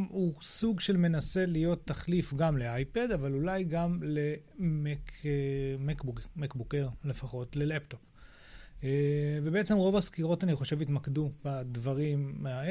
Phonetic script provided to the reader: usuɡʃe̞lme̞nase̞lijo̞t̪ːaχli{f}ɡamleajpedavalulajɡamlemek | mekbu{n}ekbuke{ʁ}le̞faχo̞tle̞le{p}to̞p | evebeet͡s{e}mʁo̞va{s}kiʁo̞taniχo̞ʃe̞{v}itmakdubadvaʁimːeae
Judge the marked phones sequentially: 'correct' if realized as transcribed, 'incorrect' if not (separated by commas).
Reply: correct, incorrect, correct, correct, correct, correct, correct